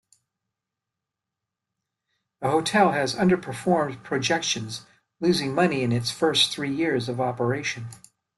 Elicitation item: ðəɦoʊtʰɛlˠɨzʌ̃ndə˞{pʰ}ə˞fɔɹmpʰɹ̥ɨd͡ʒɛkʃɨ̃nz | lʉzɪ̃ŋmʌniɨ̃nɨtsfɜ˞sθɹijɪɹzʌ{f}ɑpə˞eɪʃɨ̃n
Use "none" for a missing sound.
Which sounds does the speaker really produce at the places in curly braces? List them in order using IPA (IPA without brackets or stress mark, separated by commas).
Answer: pʰ, v